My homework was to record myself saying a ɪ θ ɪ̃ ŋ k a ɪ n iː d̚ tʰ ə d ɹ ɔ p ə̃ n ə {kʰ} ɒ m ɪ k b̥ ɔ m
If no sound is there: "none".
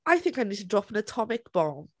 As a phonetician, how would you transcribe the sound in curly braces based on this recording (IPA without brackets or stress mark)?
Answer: tʰ